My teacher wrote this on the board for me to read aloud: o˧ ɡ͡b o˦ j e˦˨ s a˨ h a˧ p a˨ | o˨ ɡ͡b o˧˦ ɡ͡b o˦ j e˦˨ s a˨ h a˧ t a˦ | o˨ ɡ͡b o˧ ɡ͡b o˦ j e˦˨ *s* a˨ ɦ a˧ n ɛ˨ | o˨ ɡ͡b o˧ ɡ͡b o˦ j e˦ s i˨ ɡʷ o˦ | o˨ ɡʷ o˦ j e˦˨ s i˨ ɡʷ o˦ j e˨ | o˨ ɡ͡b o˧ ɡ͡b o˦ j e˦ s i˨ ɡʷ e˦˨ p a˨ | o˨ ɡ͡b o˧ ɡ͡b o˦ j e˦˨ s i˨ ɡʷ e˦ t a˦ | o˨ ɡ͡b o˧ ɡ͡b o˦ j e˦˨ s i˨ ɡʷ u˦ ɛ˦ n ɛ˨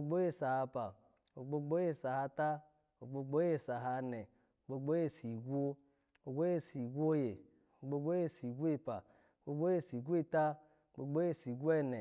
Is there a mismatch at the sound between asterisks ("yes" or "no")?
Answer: no